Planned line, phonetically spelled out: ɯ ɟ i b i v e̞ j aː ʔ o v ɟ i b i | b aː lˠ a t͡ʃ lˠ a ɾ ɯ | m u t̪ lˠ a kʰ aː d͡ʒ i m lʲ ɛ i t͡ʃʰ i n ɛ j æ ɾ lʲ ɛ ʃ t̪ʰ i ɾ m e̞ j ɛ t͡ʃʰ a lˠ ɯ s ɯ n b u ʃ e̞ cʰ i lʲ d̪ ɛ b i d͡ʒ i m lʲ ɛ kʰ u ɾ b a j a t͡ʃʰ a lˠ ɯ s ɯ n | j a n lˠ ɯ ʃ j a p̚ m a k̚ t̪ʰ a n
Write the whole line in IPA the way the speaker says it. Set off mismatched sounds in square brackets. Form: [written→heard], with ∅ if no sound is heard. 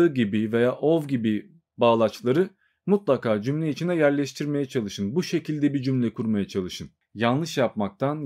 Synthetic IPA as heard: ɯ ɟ i b i v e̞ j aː ʔ o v ɟ i b i | b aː lˠ a t͡ʃ lˠ a ɾ ɯ | m u t̪ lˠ a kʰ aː d͡ʒ [i→y] m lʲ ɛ i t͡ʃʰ i n ɛ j æ ɾ lʲ ɛ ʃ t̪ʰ i ɾ m e̞ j ɛ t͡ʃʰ a lˠ ɯ [s→ʃ] ɯ n b u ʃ e̞ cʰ i lʲ d̪ ɛ b i d͡ʒ [i→y] m lʲ ɛ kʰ u ɾ [b→m] a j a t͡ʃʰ a lˠ ɯ [s→ʃ] ɯ n | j a n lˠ ɯ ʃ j a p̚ m a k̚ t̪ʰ a n